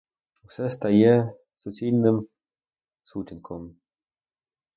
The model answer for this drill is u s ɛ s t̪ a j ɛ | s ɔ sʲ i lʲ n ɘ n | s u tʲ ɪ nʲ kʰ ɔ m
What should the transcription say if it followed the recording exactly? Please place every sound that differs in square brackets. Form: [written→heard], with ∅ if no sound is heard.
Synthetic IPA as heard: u s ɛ s t̪ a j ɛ | s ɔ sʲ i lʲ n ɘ [n→m] | s u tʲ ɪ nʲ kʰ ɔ m